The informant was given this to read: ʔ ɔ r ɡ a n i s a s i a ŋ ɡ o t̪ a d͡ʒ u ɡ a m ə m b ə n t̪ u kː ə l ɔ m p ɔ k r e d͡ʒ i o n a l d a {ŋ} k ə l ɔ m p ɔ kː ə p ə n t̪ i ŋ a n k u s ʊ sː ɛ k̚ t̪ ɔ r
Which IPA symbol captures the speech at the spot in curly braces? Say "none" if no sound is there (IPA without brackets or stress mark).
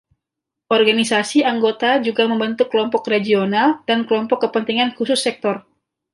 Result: n